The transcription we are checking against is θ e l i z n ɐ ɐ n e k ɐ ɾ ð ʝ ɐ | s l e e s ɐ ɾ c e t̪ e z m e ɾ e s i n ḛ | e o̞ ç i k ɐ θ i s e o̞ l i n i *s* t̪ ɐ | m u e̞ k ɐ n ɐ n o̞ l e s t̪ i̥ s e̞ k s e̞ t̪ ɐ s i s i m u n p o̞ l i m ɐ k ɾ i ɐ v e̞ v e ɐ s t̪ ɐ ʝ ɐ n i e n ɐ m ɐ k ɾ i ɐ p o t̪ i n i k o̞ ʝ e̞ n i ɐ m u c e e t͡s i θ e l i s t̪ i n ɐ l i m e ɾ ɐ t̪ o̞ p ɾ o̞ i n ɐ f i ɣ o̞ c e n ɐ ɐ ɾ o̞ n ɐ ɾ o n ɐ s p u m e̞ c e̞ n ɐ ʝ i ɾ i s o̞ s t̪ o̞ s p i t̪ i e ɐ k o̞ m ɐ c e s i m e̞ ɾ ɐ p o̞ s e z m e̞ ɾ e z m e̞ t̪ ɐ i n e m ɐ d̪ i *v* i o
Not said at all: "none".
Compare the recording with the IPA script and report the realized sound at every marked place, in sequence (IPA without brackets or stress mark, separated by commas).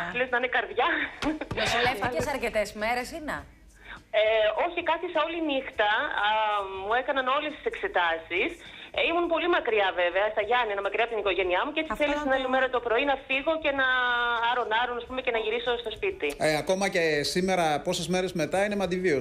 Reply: x, v